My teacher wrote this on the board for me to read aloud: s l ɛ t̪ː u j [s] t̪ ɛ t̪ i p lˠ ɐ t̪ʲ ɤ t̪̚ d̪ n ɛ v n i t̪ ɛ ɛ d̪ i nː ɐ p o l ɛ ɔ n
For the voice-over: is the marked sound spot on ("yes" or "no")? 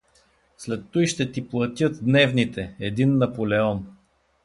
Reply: no